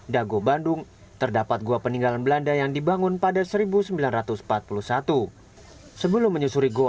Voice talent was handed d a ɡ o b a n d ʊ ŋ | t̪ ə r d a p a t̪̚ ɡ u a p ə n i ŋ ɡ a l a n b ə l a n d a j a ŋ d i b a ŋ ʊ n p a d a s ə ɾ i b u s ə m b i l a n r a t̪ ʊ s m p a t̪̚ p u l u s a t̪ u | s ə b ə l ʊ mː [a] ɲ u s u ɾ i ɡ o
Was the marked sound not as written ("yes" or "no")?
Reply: yes